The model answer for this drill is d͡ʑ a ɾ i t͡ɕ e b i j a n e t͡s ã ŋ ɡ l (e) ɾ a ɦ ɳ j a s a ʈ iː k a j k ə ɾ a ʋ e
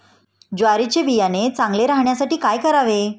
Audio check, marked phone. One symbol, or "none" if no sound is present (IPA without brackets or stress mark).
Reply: e